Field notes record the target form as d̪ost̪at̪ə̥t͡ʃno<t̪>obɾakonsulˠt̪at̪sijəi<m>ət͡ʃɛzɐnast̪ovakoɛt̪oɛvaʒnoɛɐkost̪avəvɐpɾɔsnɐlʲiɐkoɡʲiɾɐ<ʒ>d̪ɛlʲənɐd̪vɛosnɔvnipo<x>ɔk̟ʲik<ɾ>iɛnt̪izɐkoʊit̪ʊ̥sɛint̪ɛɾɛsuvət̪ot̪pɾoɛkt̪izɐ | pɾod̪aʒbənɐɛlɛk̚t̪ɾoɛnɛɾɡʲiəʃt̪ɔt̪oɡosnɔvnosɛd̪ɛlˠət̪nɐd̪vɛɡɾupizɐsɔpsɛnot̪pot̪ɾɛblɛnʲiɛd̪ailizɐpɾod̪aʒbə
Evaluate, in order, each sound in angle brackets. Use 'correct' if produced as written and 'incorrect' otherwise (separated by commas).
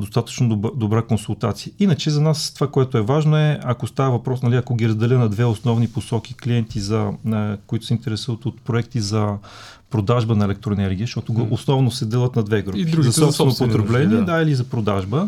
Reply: incorrect, incorrect, incorrect, incorrect, incorrect